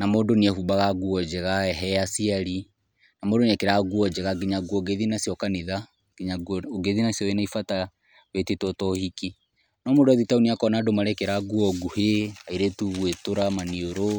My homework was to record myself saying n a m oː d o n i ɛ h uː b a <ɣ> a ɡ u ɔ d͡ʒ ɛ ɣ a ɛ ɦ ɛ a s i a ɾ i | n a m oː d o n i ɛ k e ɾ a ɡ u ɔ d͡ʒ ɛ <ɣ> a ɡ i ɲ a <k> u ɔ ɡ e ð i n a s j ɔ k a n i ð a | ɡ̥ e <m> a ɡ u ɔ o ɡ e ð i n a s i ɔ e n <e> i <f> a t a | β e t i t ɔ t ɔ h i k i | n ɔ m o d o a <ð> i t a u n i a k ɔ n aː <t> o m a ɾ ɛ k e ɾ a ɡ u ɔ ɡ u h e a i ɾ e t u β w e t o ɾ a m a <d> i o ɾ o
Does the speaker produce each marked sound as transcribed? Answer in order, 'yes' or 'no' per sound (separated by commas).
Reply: yes, yes, no, no, no, yes, yes, no, no